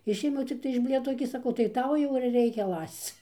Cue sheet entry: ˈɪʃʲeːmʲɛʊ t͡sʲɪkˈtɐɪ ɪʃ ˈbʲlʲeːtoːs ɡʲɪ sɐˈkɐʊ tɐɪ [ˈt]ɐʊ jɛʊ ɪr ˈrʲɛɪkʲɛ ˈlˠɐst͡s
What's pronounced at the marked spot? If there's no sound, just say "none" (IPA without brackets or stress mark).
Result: t